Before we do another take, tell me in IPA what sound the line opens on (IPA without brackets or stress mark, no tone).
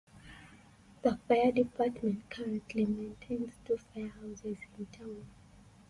ð